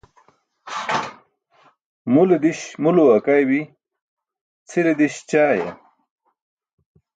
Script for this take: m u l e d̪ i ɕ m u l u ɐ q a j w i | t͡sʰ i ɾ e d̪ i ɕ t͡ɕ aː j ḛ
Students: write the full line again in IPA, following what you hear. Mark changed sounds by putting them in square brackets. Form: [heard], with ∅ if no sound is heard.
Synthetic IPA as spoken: m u l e d̪ i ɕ m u l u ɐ [k] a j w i | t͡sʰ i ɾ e d̪ i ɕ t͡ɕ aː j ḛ